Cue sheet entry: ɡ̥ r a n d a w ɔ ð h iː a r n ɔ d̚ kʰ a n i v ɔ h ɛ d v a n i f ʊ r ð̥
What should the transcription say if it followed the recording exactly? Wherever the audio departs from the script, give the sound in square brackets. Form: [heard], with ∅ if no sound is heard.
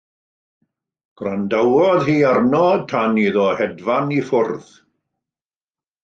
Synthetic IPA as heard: ɡ̥ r a n d a w ɔ ð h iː a r n ɔ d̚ [tʰ] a n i [ð] ɔ h ɛ d v a n i f ʊ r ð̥